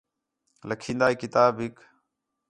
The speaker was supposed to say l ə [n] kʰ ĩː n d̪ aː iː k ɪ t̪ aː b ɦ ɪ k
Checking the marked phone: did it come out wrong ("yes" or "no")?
yes